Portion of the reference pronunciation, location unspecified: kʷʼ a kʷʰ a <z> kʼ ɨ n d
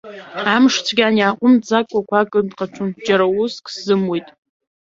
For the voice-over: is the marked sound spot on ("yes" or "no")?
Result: no